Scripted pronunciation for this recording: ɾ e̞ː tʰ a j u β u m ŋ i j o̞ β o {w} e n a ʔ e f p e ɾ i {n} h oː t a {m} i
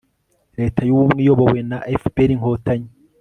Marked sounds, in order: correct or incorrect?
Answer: correct, incorrect: ŋ, incorrect: ɲ

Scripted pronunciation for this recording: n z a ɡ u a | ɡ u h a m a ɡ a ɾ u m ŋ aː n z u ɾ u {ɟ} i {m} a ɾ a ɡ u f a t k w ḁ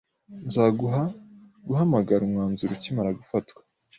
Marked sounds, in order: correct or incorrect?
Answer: incorrect: c, correct

